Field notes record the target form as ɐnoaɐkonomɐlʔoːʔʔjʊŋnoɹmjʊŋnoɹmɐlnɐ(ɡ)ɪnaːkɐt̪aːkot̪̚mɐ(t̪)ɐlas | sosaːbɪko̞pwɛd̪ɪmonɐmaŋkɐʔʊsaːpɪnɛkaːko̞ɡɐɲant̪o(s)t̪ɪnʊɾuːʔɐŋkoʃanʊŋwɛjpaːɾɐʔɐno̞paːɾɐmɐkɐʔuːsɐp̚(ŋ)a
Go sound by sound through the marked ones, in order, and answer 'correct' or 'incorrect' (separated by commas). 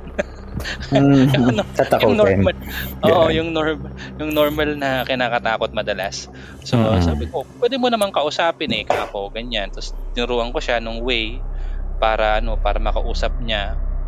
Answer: incorrect, incorrect, correct, incorrect